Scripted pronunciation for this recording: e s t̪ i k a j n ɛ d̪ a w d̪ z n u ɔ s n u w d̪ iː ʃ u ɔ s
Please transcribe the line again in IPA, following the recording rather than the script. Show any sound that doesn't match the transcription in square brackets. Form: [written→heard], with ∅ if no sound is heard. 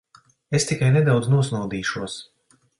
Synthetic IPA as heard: e s t̪ i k a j n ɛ d̪ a w d̪ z n u ɔ s n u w d̪ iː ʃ u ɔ s